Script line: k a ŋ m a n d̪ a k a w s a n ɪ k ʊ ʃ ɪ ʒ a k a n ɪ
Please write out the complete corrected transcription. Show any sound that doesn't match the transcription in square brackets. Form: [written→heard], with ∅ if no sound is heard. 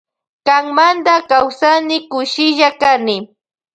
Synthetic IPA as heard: k a ŋ m a n d̪ a k a w s a n ɪ k ʊ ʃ ɪ ʒ a k a n ɪ

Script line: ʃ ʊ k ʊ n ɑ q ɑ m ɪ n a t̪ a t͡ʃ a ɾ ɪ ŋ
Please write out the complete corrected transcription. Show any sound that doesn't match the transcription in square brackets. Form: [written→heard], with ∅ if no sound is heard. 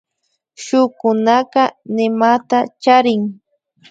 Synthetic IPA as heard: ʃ ʊ k ʊ n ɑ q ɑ [m→n] ɪ [n→m] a t̪ a t͡ʃ a ɾ ɪ ŋ

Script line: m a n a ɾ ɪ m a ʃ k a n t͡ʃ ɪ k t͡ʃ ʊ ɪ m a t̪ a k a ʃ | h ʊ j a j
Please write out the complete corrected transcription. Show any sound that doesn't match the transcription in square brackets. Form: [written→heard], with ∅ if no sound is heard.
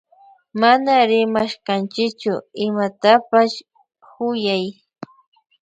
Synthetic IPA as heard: m a n a ɾ ɪ m a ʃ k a n t͡ʃ ɪ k t͡ʃ ʊ ɪ m a t̪ a [k→p] a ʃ | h ʊ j a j

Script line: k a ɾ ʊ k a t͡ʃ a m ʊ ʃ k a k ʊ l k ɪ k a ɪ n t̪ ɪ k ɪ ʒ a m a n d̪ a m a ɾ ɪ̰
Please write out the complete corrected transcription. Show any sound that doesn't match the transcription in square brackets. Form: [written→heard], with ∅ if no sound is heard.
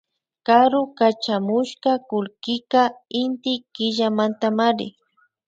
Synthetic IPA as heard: k a ɾ ʊ k a t͡ʃ a m ʊ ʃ k a k ʊ l k ɪ k a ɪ n t̪ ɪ k ɪ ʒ a m a n [d̪→t̪] a m a ɾ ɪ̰

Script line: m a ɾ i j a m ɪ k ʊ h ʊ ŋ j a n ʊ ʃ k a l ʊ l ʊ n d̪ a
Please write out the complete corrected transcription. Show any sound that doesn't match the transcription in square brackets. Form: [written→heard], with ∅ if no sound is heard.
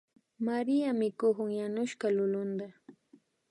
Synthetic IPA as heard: m a ɾ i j a m ɪ k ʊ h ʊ ŋ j a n ʊ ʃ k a l ʊ l ʊ n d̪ a

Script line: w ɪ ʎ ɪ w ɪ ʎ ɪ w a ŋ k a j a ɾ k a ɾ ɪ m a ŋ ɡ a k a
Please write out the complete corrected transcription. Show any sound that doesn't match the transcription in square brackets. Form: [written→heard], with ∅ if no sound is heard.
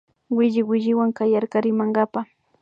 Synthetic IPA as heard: w ɪ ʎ ɪ w ɪ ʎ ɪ w a ŋ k a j a ɾ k a ɾ ɪ m a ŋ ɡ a [k→p] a

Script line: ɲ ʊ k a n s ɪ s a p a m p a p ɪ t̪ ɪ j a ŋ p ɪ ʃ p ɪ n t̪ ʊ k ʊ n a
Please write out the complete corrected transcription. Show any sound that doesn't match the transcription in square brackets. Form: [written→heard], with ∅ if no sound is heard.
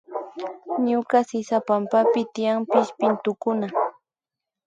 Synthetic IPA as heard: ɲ ʊ k a [n→∅] s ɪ s a p a m p a p ɪ t̪ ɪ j a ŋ p ɪ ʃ p ɪ n t̪ ʊ k ʊ n a

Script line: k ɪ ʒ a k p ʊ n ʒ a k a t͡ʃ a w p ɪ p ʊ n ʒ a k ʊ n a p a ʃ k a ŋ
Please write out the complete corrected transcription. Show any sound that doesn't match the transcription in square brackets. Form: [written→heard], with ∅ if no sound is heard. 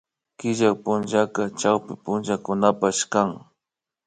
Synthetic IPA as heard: k ɪ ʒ a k p ʊ n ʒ a k a t͡ʃ a w p ɪ p ʊ n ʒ a k ʊ n a p a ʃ k a ŋ

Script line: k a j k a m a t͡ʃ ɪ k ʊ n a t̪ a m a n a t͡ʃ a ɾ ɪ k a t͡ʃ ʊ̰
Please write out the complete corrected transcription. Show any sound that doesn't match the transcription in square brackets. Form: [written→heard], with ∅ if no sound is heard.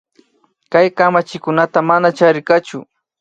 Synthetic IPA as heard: k a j k a m a t͡ʃ ɪ k ʊ n a t̪ a m a n a t͡ʃ a ɾ ɪ k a t͡ʃ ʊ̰

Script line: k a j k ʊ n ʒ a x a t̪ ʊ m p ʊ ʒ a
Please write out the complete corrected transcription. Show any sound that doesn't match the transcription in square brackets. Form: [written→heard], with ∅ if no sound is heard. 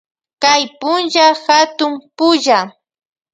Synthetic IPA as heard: k a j [k→p] ʊ n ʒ a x a t̪ ʊ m p ʊ ʒ a

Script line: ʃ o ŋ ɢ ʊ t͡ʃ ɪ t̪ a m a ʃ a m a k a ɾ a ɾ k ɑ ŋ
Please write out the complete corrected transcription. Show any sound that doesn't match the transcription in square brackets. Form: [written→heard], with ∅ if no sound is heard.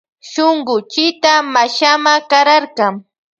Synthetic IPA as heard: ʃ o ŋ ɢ ʊ t͡ʃ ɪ t̪ a m a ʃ a m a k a ɾ a ɾ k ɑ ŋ

